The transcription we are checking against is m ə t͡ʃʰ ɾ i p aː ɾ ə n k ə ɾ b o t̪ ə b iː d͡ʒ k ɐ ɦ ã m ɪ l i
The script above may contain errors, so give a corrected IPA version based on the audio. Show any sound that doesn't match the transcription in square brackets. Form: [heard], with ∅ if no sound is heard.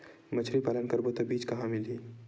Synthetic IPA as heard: m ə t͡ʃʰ ɾ i p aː [l] ə n k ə ɾ b o t̪ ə b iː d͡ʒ k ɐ ɦ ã m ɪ l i